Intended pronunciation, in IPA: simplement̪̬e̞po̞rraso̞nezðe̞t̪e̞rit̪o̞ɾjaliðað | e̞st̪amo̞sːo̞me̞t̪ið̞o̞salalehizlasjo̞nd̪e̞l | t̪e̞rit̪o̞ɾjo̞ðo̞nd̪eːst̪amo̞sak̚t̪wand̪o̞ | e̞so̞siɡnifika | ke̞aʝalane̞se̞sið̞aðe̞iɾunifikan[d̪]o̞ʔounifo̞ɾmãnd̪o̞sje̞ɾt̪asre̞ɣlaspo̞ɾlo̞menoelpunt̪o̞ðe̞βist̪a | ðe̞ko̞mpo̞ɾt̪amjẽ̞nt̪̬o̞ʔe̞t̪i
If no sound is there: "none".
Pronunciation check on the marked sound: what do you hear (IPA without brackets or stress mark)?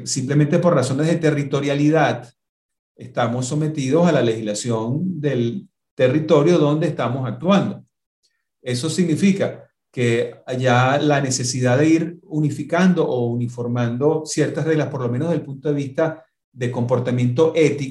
d̪